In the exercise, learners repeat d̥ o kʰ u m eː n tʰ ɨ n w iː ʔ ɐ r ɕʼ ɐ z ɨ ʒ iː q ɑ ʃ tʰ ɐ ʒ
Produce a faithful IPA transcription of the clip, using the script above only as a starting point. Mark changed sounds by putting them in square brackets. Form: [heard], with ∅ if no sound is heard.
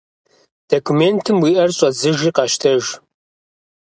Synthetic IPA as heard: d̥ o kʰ u m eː n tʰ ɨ [m] w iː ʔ ɐ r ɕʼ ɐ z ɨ ʒ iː q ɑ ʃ tʰ ɐ ʒ